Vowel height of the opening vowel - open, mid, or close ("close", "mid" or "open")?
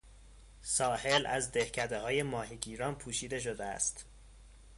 open